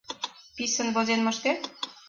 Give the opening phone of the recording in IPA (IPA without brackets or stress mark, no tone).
p